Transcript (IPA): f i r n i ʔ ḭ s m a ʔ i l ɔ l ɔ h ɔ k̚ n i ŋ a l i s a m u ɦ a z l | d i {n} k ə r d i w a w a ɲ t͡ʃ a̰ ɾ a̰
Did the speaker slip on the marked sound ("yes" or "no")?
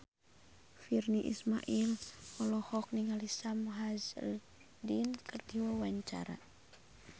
no